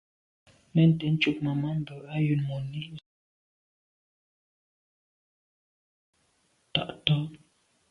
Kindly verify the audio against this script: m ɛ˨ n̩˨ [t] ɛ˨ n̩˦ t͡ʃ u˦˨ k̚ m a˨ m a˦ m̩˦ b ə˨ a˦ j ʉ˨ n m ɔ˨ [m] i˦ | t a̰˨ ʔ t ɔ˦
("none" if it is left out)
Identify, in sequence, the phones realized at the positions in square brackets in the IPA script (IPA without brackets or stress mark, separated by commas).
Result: t, n